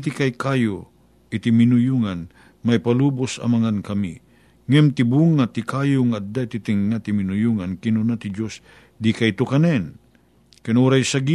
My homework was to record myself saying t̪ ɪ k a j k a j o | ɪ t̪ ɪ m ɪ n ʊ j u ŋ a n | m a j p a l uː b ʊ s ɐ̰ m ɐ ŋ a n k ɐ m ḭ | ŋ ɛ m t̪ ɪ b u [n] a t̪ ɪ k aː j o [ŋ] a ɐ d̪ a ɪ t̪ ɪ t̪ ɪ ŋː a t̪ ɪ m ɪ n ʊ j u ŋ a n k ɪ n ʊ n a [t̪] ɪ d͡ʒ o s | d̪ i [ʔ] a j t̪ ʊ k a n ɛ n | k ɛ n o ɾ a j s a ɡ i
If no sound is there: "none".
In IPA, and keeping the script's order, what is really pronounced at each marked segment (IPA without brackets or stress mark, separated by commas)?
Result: ŋ, ŋ, t̪, k